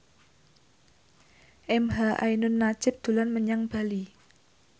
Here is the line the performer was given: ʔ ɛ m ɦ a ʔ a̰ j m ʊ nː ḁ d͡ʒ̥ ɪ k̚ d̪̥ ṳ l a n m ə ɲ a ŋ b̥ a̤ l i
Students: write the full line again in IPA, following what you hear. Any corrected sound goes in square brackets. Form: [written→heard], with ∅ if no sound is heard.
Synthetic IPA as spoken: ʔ ɛ m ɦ a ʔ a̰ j [m→n] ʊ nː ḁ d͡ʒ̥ ɪ [k̚→p̚] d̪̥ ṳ l a n m ə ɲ a ŋ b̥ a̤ l i